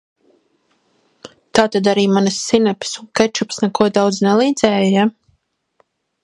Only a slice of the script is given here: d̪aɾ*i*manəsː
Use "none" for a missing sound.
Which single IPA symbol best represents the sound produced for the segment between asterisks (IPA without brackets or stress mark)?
iː